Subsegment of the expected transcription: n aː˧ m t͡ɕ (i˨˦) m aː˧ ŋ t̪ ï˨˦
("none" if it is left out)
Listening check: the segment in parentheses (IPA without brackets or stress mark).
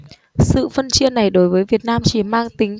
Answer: i˧˩